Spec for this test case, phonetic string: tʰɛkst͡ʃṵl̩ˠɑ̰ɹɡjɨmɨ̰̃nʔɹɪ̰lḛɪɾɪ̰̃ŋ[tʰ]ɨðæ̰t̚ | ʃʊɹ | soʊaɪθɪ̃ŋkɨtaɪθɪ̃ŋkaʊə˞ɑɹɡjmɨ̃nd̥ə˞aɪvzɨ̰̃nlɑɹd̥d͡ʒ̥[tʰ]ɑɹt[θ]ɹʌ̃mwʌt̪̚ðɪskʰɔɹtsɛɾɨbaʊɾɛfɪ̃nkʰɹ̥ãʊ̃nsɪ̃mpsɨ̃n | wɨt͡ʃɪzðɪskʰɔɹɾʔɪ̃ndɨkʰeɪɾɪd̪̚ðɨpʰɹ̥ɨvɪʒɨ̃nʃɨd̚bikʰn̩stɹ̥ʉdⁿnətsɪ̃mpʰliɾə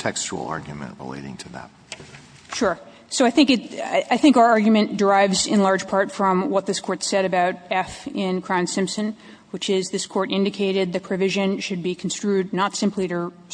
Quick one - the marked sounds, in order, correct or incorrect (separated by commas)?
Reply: correct, incorrect, incorrect